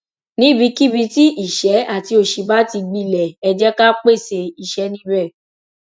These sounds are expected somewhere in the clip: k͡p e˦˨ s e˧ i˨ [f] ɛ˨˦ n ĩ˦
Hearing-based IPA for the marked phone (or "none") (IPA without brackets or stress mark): ʃ